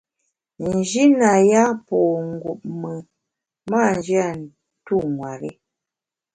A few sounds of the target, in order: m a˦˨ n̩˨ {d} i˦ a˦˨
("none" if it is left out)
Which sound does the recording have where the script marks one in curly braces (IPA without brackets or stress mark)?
d͡ʒ